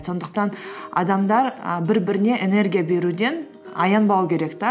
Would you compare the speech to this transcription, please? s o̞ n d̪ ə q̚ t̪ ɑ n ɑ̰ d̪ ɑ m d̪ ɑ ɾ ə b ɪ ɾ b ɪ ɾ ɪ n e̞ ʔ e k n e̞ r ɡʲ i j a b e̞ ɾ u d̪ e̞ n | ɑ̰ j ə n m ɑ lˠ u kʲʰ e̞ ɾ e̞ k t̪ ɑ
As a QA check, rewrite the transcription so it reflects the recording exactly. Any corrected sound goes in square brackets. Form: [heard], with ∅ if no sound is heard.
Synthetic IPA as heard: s o̞ n d̪ ə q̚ t̪ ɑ n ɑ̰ d̪ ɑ m d̪ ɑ ɾ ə b ɪ ɾ b ɪ ɾ ɪ n e̞ ʔ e [∅] n e̞ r ɡʲ i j a b e̞ ɾ u d̪ e̞ n | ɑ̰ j [ɑ] n [b] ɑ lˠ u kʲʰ e̞ ɾ e̞ k t̪ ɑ